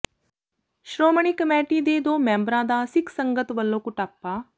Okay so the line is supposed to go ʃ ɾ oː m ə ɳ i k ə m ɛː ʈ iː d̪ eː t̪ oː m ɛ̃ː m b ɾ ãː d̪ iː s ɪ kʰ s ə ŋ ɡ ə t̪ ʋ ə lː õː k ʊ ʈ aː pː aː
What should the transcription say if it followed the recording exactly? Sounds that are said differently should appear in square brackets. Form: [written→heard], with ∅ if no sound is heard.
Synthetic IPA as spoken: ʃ ɾ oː m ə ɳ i k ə m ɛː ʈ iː d̪ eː [t̪→d̪] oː m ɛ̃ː m b ɾ ãː d̪ [iː→aː] s ɪ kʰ s ə ŋ ɡ ə t̪ ʋ ə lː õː k ʊ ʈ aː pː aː